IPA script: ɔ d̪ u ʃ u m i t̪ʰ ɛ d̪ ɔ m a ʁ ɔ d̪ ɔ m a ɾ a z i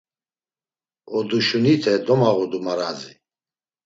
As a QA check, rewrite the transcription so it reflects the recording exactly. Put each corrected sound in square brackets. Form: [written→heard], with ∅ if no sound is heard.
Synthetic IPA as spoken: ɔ d̪ u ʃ u [m→n] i t̪ʰ ɛ d̪ ɔ m a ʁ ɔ d̪ [ɔ→u] m a ɾ a z i